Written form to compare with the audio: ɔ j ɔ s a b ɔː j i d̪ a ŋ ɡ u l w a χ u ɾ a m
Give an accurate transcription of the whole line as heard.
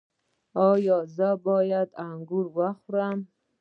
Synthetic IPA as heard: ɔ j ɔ z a b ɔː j a d̪ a ŋ ɡ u ɾ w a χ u ɾ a m

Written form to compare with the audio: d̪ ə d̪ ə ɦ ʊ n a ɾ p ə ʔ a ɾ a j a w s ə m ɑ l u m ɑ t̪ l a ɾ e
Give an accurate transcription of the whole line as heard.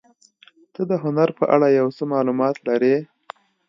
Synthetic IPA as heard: t̪ ə d̪ ə ɦ ʊ n a ɾ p ə ʔ a ɽ a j a w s ə m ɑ l u m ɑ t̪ l a ɾ e

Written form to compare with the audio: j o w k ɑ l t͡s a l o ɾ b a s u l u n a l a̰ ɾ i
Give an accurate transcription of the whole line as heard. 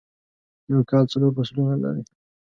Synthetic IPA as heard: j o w k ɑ l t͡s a l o ɾ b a s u l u n a l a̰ ɾ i

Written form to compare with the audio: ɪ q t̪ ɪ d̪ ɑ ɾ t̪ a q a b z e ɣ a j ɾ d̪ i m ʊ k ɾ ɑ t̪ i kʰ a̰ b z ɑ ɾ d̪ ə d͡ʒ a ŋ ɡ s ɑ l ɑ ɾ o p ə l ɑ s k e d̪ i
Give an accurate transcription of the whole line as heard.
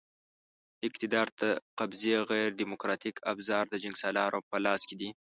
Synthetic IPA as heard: ɪ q t̪ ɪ d̪ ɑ ɾ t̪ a q a b z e ɣ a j ɾ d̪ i m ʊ k ɾ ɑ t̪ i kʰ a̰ b z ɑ ɾ d̪ ə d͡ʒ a ŋ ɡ s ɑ l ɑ ɾ o p ə l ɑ s k e d̪ i

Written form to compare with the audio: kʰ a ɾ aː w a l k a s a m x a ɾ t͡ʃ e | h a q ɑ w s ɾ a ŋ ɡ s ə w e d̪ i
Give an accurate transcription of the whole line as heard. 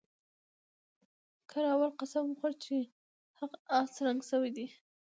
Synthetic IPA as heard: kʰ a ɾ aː w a l q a s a m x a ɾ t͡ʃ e | h a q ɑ s ɾ a ŋ ɡ s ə w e d̪ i

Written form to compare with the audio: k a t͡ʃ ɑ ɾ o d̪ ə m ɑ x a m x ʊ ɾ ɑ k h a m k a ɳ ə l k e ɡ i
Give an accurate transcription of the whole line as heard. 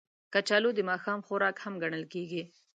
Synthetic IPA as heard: k a t͡ʃ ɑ l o d̪ ə m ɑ x ɑ m x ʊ ɾ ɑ k h a m ɡ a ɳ ə l k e ɡ i

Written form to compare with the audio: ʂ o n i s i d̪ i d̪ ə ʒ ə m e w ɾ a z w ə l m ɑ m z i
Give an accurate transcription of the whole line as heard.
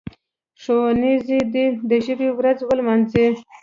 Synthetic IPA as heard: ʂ o n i z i d̪ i d̪ ə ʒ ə b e w ɾ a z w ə l m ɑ n z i

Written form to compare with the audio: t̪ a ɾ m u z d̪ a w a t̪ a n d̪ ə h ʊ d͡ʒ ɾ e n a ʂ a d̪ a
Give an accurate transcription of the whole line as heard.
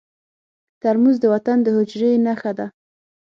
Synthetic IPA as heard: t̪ a ɾ m u z d̪ ə w a t̪ a n d̪ ə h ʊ d͡ʒ ɾ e n a x a d̪ a

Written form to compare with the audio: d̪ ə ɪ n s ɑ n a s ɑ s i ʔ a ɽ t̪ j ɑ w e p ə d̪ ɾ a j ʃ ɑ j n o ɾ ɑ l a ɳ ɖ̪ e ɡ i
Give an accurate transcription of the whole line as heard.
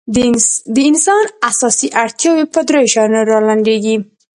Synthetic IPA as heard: d̪ ə ɪ n s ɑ n a s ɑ s i ʔ a ɽ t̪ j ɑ w e p ə d̪ ɾ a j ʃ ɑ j n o ɾ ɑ l a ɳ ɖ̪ e ɡ i

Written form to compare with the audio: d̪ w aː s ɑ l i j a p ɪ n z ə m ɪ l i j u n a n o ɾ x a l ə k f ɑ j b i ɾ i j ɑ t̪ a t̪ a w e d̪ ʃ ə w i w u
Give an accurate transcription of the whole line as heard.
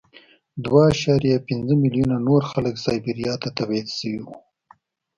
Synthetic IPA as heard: d̪ w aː ʃ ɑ ɾ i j a p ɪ n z ə m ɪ l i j u n a n o ɾ x a l ə k s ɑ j b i ɾ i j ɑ t̪ a t̪ a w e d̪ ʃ ə w i w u

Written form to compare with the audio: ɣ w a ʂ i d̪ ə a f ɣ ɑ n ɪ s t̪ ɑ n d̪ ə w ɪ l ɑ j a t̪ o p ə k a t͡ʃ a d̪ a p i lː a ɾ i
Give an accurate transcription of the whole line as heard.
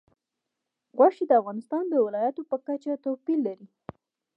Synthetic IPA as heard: ɣ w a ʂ i d̪ ə a f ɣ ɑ n ɪ s t̪ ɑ n d̪ ə w ɪ l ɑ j a t̪ o p ə k a t͡ʃ a t̪ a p i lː a ɾ i

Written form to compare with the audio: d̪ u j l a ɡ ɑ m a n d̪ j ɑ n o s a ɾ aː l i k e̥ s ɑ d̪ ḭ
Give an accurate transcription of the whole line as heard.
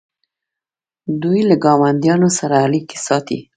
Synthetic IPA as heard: d̪ u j l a ɡ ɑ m a n d̪ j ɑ n o s a ɾ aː l i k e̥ s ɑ t̪ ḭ

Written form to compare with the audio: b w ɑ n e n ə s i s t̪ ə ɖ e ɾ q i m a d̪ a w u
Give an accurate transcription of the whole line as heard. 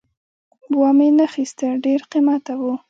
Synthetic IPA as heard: b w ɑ m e n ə x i s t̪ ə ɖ e ɾ q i m a t̪ a w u

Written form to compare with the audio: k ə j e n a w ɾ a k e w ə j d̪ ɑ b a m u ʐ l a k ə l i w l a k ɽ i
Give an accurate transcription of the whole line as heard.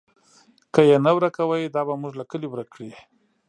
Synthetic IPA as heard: k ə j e n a w ɾ a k a w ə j d̪ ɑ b a m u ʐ l a k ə l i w ɾ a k ɽ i

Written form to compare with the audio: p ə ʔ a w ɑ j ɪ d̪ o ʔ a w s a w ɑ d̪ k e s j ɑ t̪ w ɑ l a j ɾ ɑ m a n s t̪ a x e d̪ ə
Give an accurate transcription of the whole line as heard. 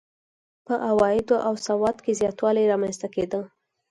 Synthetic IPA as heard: p ə ʔ a w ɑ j ɪ d̪ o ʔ a w s a w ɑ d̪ k e z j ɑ t̪ w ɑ l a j ɾ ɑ m a n s t̪ a k e d̪ ə

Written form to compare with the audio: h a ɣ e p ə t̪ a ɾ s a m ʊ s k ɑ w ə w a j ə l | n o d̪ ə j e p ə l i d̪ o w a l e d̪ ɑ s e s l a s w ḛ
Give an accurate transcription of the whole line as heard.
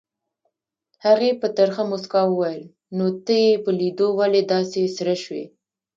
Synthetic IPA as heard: h a ɣ e p ə t̪ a ɾ x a m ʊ s k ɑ w ə w a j ə l | n o t̪ ə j e p ə l i d̪ o w a l e d̪ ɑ s e s ɾ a ʃ w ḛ

